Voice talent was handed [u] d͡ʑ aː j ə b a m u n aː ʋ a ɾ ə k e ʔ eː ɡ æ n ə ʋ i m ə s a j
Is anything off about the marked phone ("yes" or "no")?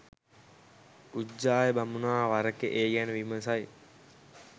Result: no